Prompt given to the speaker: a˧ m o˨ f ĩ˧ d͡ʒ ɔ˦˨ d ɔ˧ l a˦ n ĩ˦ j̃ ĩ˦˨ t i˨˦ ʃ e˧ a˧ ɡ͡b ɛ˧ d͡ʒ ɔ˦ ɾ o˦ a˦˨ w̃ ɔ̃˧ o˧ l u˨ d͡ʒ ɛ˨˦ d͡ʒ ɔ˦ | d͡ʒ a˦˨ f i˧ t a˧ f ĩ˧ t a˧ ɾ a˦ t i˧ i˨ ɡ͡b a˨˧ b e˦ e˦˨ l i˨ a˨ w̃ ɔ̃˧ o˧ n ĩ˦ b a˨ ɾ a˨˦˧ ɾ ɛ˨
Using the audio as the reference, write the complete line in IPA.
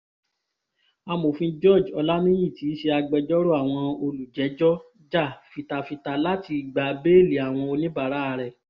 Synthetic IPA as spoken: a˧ m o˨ f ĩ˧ d͡ʒ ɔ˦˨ d͡ʒ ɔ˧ l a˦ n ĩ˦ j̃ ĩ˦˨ t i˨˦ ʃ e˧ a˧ ɡ͡b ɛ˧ d͡ʒ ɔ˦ ɾ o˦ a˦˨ w̃ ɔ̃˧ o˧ l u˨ d͡ʒ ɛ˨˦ d͡ʒ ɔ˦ | d͡ʒ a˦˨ f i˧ t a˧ f i˧ t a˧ l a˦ t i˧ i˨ ɡ͡b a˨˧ b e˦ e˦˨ l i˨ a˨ w̃ ɔ̃˧ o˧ n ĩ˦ b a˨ ɾ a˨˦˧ ɾ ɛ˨